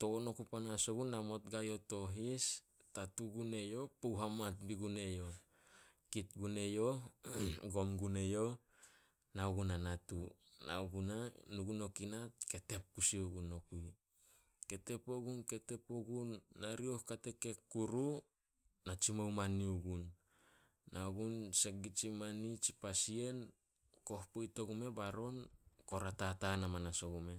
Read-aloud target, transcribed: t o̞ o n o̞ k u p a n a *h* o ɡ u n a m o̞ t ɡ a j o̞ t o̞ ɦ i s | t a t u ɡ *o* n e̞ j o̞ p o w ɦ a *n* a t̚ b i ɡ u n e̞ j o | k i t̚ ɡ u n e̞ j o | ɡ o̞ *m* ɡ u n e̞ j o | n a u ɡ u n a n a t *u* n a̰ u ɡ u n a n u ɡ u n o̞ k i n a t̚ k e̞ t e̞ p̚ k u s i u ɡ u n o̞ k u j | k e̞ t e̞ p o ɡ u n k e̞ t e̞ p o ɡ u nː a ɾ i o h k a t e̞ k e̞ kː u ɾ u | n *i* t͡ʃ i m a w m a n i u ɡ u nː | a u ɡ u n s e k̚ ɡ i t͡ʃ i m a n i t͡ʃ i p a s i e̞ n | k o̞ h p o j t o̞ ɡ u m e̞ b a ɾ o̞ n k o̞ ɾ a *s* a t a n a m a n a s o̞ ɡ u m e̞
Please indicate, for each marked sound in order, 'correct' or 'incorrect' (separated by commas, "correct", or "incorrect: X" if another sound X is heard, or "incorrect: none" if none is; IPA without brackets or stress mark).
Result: incorrect: s, incorrect: u, incorrect: m, correct, correct, incorrect: a, incorrect: t